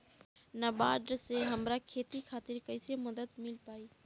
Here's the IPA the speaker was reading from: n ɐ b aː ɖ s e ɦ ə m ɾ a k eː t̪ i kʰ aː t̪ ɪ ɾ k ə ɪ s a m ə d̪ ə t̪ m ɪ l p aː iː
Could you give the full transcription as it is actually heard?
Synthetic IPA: n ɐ b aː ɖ s e ɦ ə m ɾ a kʰ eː t̪ i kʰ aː t̪ ɪ ɾ k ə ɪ s e m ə d̪ ə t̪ m ɪ l p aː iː

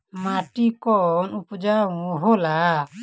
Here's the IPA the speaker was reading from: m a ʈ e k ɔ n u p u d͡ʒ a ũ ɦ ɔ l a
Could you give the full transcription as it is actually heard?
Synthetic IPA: m a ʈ i k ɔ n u p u d͡ʒ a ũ ɦ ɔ l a

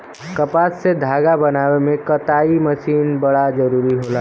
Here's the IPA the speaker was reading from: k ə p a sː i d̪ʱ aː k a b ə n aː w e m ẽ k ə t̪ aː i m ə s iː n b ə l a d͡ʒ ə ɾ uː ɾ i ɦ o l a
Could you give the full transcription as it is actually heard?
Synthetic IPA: k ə p a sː e d̪ʱ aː ɡ a b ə n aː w e m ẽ k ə t̪ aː i m ə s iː n b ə ɽ a d͡ʒ ə ɾ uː ɾ i ɦ o l a

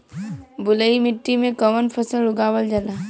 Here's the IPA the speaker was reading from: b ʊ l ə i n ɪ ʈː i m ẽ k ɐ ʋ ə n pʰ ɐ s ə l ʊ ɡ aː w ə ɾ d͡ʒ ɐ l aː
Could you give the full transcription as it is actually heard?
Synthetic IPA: b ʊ l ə i m ɪ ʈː i m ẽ k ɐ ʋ ə n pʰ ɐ s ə l ʊ ɡ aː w ə l d͡ʒ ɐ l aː

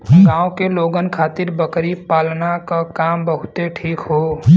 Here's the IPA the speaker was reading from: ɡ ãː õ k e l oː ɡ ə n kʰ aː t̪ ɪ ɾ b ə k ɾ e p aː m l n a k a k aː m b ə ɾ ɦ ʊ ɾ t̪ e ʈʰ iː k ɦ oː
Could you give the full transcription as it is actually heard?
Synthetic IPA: ɡ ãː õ k e l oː ɡ ə n kʰ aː t̪ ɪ ɾ b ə k ɾ i p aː l n a k a k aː m b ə ɦ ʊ t̪ e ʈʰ iː k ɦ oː

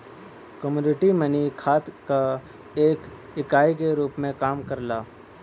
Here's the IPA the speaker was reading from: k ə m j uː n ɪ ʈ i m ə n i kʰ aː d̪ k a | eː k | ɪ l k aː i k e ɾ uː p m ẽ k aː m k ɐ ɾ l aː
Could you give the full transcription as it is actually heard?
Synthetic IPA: k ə m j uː n ɪ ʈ i m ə n i kʰ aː t̪ k a | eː k | ɪ k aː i k e ɾ uː p m ẽ k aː m k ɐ ɾ l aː

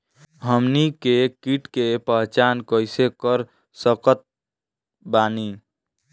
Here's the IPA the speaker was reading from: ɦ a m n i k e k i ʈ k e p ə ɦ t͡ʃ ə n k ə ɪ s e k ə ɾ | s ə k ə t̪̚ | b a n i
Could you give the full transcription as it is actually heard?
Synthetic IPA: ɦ ə m n i k e k i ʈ k e p ə ɦ t͡ʃ a n k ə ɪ s e k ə ɾ | s ə k ə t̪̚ | b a n i

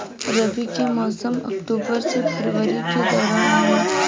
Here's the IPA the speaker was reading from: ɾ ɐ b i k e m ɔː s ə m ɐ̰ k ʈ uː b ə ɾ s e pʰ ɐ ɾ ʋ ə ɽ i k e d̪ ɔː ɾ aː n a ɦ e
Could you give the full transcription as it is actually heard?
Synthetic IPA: ɾ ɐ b i k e m ɔː s ə m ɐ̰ k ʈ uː b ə ɾ s e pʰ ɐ ɾ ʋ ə ɾ i k e d̪ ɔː ɾ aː n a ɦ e

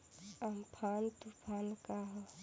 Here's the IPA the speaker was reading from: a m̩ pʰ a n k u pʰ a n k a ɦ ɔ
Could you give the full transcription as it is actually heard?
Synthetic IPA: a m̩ pʰ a n t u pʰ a n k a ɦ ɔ

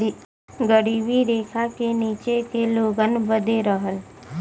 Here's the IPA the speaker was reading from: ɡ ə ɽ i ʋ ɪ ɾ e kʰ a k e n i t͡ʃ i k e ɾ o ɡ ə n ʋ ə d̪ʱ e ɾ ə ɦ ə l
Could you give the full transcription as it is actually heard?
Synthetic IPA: ɡ ə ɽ i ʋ i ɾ e kʰ a k e n i t͡ʃ e k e l o ɡ ə n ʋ ə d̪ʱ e ɾ ə ɦ ə l

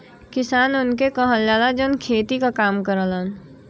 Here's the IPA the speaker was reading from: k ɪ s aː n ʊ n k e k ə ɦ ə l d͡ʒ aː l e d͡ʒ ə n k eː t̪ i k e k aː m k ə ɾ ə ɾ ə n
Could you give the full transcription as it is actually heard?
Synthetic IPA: k ɪ s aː n ʊ n k e k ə ɦ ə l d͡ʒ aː l a d͡ʒ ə n kʰ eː t̪ i k a k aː m k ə ɾ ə l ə n

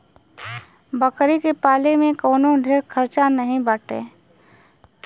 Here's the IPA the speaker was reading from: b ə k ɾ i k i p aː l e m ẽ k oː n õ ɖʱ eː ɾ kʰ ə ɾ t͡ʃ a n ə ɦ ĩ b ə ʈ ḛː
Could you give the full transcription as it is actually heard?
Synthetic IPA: b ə k ɾ i k e p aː l e m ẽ k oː n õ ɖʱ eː ɾ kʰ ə ɾ t͡ʃ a n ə ɦ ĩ b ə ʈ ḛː

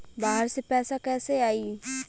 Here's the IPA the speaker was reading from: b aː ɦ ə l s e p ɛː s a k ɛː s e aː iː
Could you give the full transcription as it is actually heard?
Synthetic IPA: b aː ɦ ə ɾ s e p ɛː s a k ɛː s e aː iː

